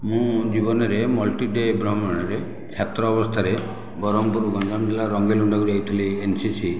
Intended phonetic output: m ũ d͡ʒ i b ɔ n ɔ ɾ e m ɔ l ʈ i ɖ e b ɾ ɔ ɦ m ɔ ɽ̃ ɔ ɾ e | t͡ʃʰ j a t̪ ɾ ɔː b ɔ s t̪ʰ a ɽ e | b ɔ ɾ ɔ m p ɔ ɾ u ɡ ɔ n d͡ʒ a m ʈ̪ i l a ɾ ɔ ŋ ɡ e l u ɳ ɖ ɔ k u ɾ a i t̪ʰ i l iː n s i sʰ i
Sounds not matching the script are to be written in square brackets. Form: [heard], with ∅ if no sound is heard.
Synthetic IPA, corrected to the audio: m ũ d͡ʒ i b ɔ n ɔ ɾ e m ɔ l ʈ i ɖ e b ɾ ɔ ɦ m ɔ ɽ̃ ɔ ɾ e | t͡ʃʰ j a t̪ ɾ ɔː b ɔ s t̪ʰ a [ɾ] e | b ɔ ɾ ɔ m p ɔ ɾ u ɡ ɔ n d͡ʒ a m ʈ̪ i l a ɾ ɔ ŋ ɡ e l u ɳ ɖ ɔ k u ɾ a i t̪ʰ i l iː n s i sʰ i